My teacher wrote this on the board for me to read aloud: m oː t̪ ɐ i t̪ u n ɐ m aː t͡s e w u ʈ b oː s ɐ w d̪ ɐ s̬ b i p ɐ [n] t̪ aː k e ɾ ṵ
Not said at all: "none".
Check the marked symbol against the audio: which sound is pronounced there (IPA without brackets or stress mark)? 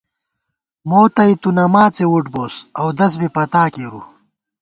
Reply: none